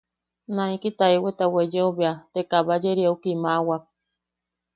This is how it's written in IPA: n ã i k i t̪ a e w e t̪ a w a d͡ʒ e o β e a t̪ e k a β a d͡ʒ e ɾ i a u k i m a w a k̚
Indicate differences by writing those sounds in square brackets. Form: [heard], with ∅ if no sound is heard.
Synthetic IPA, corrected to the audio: n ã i k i t̪ a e w e t̪ a w [e] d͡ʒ e o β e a t̪ e k a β a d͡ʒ e ɾ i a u k i m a w a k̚